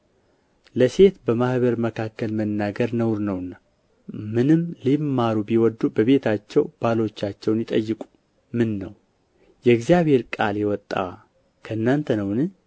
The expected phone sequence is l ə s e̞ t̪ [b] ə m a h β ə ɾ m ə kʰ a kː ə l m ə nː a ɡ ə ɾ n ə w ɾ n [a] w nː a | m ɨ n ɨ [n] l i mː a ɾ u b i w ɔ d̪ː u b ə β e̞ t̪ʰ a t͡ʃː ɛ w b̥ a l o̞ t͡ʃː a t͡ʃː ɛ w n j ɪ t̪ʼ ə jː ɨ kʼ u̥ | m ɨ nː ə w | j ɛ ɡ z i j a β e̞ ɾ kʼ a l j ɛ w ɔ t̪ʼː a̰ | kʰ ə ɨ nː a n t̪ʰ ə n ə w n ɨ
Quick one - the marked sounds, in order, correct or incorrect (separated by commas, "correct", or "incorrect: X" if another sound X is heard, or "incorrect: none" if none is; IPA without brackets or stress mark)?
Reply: correct, incorrect: ə, incorrect: m